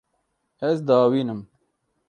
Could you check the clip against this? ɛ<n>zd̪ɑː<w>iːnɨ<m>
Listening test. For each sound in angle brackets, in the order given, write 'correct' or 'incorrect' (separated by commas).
incorrect, correct, correct